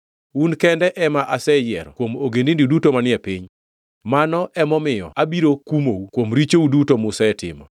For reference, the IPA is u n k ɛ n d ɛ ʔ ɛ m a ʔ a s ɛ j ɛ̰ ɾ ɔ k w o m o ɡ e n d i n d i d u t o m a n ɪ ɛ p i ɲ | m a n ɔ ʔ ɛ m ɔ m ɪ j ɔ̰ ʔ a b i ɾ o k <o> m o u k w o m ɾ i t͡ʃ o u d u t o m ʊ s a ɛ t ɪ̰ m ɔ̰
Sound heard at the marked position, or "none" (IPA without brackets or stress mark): u